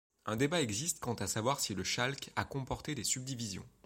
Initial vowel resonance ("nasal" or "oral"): nasal